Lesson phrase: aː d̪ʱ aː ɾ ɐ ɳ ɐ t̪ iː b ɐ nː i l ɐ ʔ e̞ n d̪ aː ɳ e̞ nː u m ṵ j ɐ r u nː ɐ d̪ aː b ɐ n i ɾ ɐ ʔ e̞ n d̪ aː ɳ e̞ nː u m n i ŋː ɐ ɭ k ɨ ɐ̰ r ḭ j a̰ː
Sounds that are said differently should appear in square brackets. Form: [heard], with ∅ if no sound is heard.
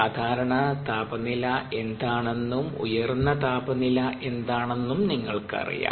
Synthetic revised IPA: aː d̪ʱ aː ɾ ɐ ɳ ɐ t̪ [aː] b ɐ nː i l ɐ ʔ e̞ n d̪ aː ɳ e̞ nː u m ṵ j ɐ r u nː ɐ [t̪] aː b ɐ n i [l] ɐ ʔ e̞ n d̪ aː ɳ e̞ nː u m n i ŋː ɐ ɭ k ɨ ɐ̰ r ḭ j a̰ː